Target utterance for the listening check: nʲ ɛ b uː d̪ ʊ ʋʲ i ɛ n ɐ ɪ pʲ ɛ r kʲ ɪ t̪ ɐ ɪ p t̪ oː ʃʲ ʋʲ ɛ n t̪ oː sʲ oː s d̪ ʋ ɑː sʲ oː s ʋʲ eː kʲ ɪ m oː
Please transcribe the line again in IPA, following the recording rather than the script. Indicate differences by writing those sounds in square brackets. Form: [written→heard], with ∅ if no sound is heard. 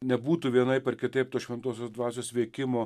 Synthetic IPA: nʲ ɛ b uː [d̪→t̪] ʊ ʋʲ i ɛ n ɐ ɪ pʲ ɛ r kʲ ɪ t̪ ɐ ɪ p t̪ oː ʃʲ ʋʲ ɛ n t̪ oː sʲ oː s d̪ ʋ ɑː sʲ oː s ʋʲ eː kʲ ɪ m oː